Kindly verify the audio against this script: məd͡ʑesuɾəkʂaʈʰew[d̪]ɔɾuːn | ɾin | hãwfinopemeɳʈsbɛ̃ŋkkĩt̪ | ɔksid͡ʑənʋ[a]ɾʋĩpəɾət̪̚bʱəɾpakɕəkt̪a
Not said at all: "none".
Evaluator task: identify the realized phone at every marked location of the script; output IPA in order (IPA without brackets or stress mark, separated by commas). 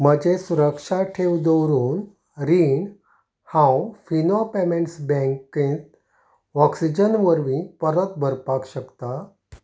d̪, ə